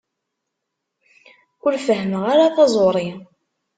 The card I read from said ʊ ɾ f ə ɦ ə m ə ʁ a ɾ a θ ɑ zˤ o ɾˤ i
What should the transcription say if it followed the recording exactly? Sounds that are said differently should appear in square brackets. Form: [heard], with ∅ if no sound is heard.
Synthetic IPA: ʊ ɾ f ə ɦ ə m ə ʁ a ɾ a θ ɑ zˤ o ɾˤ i